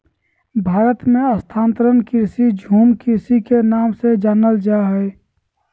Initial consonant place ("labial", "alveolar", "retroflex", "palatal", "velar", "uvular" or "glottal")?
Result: labial